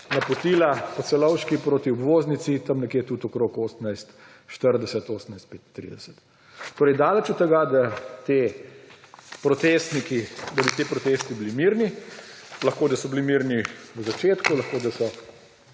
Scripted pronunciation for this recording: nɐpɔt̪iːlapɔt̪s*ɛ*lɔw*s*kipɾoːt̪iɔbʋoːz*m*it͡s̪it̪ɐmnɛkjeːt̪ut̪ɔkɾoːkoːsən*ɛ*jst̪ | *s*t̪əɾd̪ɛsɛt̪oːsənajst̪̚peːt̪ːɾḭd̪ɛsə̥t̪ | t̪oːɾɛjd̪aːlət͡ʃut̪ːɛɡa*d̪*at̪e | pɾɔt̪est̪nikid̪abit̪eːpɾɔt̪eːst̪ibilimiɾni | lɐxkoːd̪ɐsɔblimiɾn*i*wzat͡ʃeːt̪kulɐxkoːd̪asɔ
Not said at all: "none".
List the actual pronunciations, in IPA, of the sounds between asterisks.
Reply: ɛ, ʃ, n, a, ʃ, d̪, i

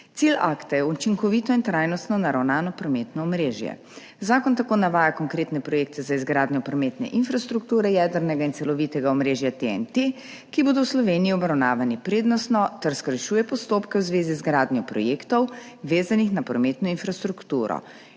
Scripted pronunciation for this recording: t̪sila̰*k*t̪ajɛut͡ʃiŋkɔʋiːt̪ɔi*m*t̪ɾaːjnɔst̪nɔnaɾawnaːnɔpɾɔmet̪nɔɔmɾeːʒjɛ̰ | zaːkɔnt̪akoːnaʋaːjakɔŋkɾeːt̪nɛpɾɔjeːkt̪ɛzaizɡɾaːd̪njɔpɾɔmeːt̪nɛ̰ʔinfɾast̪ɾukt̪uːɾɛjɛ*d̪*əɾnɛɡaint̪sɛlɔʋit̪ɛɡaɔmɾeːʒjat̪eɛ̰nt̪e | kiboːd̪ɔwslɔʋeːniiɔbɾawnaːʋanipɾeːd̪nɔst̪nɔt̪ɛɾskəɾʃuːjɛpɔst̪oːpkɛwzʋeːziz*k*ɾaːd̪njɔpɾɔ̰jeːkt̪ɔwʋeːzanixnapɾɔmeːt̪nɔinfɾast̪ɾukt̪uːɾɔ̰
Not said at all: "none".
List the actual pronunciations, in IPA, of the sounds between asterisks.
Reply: k, n, d̪, ɡ

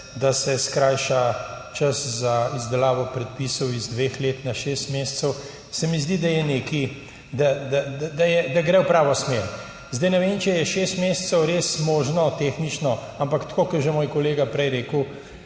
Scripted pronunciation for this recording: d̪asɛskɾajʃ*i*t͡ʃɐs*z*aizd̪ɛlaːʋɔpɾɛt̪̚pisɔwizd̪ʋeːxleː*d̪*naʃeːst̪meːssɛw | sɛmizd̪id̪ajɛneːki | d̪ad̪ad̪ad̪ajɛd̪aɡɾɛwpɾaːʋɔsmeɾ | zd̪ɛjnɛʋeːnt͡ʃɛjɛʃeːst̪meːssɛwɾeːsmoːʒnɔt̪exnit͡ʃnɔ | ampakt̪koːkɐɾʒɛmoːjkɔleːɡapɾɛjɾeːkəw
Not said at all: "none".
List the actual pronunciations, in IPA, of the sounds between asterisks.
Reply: a, z, t̪

